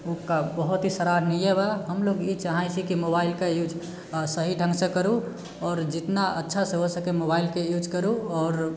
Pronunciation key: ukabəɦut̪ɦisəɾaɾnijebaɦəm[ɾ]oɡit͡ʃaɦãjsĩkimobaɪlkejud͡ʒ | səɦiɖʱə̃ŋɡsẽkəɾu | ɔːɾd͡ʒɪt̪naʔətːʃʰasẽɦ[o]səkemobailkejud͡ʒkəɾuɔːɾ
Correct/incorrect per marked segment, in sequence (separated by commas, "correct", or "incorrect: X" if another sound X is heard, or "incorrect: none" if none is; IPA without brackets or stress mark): incorrect: l, correct